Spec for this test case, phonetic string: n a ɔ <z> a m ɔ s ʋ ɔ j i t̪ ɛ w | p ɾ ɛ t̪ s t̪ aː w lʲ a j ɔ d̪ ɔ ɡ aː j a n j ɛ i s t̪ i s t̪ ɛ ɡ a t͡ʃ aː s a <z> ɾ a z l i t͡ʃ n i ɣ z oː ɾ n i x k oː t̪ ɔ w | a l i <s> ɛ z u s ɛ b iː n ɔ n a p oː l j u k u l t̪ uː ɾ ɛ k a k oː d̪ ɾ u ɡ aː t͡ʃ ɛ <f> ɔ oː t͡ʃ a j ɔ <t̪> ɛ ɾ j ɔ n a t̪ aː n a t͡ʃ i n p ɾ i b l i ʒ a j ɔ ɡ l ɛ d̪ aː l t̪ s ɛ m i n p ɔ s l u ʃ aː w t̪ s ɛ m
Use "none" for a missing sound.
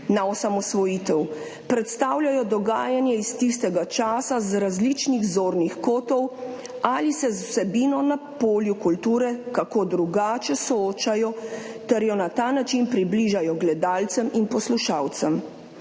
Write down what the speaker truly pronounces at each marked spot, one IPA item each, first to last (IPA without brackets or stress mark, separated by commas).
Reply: s, z, s, s, t̪